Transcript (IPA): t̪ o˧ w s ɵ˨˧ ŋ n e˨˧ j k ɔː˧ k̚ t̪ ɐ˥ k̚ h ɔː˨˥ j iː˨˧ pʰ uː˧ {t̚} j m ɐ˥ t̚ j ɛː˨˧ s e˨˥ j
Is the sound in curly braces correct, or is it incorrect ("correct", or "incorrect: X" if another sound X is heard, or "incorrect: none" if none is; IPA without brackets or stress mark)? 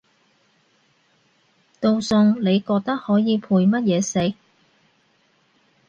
incorrect: none